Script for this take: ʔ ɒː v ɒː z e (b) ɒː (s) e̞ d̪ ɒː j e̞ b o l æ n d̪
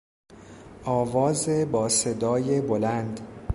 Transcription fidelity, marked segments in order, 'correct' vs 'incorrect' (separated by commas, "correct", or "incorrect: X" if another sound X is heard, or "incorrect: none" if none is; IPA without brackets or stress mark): correct, correct